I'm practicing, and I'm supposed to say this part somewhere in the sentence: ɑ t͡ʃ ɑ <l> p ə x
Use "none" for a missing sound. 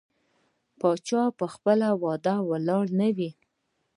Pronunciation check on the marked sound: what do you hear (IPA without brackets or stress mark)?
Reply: none